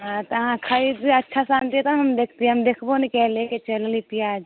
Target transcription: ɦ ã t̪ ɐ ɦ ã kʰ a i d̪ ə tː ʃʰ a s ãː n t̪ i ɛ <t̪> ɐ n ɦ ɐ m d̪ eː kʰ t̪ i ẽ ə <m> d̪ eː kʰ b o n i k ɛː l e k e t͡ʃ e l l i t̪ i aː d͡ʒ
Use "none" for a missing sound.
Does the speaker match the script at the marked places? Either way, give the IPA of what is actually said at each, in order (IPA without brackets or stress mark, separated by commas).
t̪, m